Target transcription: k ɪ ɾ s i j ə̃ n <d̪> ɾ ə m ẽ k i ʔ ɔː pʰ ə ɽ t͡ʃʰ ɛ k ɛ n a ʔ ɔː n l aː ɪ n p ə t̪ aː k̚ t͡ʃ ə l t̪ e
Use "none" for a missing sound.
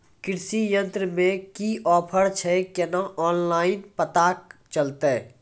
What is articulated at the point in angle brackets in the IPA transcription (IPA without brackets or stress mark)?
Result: t̪